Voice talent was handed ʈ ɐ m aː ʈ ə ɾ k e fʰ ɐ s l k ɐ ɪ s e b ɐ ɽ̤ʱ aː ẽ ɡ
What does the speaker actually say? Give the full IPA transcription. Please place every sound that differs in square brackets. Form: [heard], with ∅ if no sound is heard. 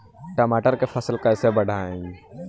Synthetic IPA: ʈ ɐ m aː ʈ ə ɾ k e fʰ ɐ s l k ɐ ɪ s e b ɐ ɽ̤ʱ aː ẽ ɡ